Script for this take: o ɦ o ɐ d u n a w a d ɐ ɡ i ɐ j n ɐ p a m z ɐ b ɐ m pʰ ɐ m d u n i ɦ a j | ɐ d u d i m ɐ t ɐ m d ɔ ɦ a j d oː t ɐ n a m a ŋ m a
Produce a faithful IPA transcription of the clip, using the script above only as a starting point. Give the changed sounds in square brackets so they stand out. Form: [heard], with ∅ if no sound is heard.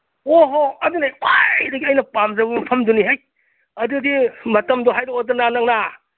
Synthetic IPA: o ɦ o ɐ d u n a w a d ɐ ɡ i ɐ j n ɐ p a m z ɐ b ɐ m pʰ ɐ m d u n i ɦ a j | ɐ d u d i m ɐ t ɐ m d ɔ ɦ a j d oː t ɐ n a [n] a ŋ [n] a